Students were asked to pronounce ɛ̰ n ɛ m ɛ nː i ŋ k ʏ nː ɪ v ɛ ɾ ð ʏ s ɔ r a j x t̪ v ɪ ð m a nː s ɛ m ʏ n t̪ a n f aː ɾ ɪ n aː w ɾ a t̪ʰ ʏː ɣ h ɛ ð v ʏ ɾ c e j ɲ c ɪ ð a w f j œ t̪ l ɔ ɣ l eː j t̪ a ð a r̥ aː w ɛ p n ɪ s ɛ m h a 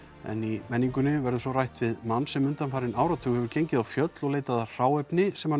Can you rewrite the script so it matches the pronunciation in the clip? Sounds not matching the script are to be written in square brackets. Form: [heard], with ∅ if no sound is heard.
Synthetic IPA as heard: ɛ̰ n [i] m ɛ nː i ŋ k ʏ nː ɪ v ɛ ɾ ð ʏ s ɔ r a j [h] t̪ v ɪ ð m a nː s ɛ m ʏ n t̪ a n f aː ɾ ɪ n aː w ɾ a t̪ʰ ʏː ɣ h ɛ [∅] v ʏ ɾ c e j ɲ c ɪ ð a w f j œ t̪ l ɔ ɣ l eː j t̪ a ð a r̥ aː w ɛ p n ɪ s ɛ m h a